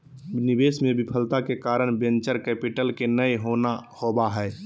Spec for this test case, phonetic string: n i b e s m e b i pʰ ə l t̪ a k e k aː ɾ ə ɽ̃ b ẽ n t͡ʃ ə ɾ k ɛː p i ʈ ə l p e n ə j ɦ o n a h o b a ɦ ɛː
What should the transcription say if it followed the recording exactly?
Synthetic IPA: n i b e s m e b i pʰ ə l t̪ a k e k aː ɾ ə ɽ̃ b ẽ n t͡ʃ ə ɾ k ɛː p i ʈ ə l k e n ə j ɦ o n a h o b a ɦ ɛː